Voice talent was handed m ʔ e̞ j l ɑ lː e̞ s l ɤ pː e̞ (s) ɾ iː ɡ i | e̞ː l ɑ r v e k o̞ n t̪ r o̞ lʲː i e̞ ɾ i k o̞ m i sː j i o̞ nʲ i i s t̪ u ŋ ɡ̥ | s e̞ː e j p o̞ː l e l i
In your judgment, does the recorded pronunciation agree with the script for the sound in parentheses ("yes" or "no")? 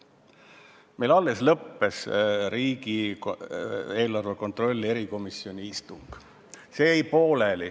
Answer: yes